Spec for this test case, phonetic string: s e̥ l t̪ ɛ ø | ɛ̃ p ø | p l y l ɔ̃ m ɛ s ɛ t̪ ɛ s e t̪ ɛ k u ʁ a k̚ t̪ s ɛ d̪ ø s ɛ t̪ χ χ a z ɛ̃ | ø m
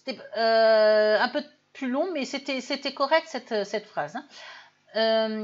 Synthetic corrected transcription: s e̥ t̪ ɛ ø | ɛ̃ p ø | p l y l ɔ̃ m ɛ s e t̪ ɛ s e t̪ ɛ k ɔ ʁ ɛ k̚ t̪ s ɛ t̪ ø s ɛ t̪ f χ a z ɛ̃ | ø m